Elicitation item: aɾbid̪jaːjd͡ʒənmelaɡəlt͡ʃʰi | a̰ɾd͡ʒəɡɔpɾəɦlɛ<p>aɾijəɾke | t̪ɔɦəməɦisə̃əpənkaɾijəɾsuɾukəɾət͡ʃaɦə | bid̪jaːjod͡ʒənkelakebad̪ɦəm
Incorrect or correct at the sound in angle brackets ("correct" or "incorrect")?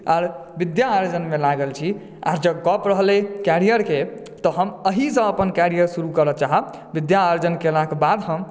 incorrect